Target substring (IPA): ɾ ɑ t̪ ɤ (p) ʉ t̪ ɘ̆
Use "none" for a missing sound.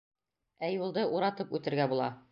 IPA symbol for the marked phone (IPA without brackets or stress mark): p